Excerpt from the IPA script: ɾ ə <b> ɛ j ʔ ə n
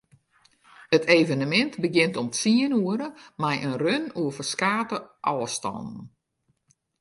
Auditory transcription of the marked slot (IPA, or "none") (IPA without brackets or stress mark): m